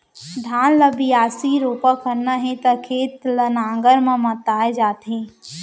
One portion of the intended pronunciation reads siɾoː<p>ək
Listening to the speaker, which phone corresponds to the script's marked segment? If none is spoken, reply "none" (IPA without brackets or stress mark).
p